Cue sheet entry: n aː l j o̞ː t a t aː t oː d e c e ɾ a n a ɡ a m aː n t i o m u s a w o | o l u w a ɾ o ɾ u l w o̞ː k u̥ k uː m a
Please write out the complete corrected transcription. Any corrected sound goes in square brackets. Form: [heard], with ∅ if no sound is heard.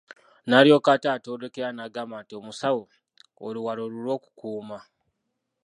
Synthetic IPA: n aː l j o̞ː [k] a t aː t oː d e [k] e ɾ a n a ɡ a m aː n t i o m u s a w o | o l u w a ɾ o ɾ u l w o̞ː k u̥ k uː m a